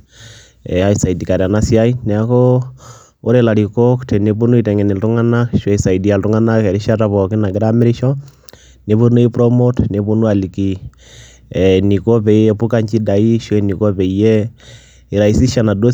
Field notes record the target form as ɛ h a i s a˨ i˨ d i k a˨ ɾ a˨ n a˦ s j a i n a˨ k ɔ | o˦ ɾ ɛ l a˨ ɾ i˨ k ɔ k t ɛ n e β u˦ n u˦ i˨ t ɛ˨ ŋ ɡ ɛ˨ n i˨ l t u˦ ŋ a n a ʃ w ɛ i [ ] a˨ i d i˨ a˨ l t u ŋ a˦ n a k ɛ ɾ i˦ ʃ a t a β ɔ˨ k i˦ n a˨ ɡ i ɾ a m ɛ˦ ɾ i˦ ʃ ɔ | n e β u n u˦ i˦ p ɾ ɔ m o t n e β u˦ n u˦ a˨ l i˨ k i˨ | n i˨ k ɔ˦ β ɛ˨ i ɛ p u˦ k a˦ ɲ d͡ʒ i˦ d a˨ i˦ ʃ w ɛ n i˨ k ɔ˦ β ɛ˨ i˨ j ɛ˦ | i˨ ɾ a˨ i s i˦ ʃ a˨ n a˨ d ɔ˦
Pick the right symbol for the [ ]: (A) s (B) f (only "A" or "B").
A